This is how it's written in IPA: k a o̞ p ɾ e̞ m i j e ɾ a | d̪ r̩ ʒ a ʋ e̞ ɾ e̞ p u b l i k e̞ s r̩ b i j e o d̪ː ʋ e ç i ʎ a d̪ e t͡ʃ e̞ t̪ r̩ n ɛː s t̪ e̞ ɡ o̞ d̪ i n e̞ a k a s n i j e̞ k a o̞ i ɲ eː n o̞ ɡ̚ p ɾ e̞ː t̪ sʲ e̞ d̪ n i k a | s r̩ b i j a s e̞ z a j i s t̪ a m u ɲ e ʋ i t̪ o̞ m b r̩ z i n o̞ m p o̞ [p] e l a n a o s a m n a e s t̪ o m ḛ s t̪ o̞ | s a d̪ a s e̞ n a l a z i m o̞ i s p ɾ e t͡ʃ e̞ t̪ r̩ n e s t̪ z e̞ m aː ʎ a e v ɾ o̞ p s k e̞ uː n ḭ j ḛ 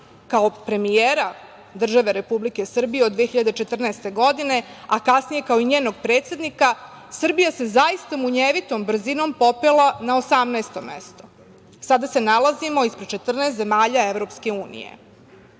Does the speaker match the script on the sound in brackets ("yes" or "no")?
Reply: yes